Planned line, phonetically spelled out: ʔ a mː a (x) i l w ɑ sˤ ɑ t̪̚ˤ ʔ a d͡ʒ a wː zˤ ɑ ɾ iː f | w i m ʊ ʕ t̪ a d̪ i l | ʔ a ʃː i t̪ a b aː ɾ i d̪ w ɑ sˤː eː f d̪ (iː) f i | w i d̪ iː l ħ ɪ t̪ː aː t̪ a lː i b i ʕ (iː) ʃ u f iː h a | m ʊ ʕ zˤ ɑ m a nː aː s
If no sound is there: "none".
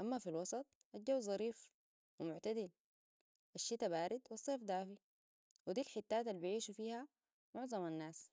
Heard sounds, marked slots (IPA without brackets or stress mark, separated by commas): f, aː, iː